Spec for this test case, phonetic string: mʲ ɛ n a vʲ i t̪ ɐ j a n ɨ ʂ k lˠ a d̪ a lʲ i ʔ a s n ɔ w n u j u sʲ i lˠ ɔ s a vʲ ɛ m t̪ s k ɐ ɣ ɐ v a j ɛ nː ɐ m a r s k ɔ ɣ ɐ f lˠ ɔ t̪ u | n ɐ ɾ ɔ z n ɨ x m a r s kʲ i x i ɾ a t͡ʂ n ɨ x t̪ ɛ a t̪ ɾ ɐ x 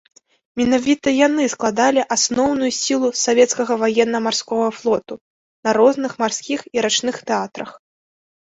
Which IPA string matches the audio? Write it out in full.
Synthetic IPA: mʲ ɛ n a vʲ i t̪ ɐ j a n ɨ s k lˠ a d̪ a lʲ i ʔ a s n ɔ w n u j u sʲ i lˠ u s a vʲ ɛ t̪ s k ɐ ɣ ɐ v a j ɛ nː ɐ m a r s k ɔ ɣ ɐ f lˠ ɔ t̪ u | n ɐ ɾ ɔ z n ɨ x m a r s kʲ i x i ɾ a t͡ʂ n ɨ x t̪ ɛ a t̪ ɾ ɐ x